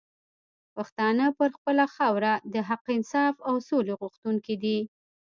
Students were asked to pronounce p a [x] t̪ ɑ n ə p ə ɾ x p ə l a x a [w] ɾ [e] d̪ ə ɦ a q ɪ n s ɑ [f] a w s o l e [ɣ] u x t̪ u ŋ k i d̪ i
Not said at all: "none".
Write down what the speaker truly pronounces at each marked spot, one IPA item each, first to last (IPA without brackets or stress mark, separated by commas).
x, w, a, f, ɣ